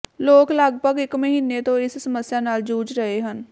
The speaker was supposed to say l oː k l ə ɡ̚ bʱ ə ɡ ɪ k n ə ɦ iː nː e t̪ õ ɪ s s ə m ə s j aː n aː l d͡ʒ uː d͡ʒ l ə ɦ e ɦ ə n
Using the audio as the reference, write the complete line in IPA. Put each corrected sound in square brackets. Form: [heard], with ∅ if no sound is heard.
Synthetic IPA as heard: l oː k l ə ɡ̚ bʱ ə ɡ ɪ k [m] ə ɦ iː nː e t̪ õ ɪ s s ə m ə s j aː n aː l d͡ʒ uː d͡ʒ [ɾ] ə ɦ e ɦ ə n